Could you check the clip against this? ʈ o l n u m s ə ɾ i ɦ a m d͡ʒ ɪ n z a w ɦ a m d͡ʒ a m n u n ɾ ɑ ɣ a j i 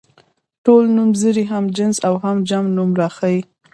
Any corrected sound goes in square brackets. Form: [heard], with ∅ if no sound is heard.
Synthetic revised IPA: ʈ o l n u m [z] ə ɾ i ɦ a m d͡ʒ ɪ n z a w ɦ a m d͡ʒ a m n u [m] ɾ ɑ [x] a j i